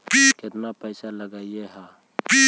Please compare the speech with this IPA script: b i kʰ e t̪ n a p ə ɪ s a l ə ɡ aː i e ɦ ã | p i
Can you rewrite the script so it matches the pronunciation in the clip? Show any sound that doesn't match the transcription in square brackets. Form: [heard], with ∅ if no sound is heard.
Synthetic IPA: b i [k] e t̪ n a p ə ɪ s a l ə ɡ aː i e ɦ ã | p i